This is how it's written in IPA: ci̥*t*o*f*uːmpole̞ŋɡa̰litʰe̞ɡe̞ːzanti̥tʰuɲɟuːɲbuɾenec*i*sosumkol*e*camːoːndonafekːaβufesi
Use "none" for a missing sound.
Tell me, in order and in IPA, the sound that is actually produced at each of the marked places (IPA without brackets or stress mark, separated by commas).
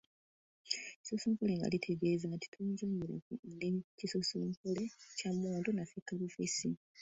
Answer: s, s, i, e